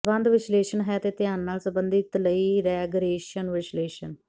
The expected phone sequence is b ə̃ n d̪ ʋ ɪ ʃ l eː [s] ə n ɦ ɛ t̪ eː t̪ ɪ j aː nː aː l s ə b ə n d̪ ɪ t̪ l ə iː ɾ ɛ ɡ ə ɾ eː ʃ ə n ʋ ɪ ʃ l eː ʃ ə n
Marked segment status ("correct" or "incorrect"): incorrect